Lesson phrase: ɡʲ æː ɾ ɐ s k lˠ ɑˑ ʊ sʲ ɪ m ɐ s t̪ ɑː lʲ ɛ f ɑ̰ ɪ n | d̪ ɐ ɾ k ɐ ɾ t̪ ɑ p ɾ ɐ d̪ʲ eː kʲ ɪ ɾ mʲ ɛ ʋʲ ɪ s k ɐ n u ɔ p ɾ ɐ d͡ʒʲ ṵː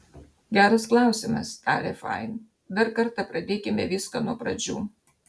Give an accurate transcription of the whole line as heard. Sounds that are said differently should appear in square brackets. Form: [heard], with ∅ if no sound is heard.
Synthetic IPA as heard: ɡʲ æː ɾ ɐ s k lˠ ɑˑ ʊ sʲ ɪ m ɐ s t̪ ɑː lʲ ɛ f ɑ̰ ɪ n | d̪ ɐ ɾ k ɐ ɾ t̪ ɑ p ɾ ɐ d̪ʲ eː kʲ ɪ [∅] mʲ ɛ ʋʲ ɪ s k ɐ n u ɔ p ɾ ɐ d͡ʒʲ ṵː

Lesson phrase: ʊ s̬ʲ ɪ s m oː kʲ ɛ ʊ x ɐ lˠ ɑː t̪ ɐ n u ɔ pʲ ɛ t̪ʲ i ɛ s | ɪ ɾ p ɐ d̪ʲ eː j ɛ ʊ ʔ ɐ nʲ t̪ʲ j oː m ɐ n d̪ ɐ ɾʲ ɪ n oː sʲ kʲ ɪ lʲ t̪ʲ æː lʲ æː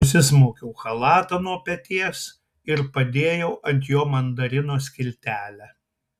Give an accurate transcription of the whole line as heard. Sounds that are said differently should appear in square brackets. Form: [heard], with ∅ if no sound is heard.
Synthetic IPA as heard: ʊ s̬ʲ ɪ s m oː kʲ ɛ ʊ x ɐ lˠ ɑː t̪ ɐ n u ɔ pʲ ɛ t̪ʲ i ɛ s | ɪ ɾ p ɐ d̪ʲ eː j ɛ ʊ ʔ ɐ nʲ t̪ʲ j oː m ɐ n d̪ ɐ ɾʲ ɪ n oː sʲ kʲ ɪ lʲ t̪ʲ æː lʲ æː

